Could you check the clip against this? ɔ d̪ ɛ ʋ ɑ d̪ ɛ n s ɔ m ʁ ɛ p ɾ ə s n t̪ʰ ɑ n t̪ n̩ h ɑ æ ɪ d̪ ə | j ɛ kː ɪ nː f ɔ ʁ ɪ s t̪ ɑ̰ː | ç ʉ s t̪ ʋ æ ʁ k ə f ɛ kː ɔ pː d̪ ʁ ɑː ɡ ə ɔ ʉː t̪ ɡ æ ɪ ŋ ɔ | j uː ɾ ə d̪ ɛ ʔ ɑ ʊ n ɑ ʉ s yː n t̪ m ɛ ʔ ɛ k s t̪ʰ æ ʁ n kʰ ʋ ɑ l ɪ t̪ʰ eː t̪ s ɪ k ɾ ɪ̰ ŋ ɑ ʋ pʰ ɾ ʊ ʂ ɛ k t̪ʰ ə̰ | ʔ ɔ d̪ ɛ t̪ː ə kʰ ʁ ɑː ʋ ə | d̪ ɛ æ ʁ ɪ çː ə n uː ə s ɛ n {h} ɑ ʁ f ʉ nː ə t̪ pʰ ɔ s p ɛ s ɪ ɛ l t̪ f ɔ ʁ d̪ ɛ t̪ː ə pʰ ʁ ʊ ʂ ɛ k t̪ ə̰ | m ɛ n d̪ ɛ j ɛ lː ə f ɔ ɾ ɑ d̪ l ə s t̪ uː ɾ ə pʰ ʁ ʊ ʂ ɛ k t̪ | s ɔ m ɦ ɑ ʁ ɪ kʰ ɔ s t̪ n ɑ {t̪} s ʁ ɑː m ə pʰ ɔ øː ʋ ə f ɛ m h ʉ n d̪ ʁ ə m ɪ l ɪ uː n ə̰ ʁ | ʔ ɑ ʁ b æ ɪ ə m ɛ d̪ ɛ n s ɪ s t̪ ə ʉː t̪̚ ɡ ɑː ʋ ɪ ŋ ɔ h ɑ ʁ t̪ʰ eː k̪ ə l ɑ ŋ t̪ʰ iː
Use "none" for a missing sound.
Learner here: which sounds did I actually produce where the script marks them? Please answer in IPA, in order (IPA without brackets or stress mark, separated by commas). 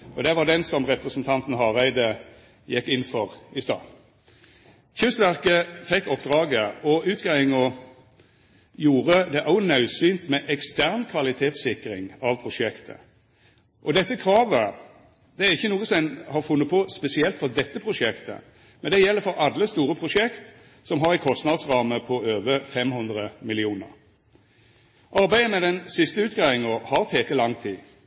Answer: h, d̪